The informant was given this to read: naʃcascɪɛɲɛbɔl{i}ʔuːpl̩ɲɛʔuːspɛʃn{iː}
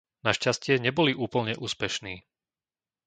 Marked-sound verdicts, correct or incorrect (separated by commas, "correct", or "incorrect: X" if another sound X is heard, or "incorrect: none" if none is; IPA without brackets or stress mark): correct, correct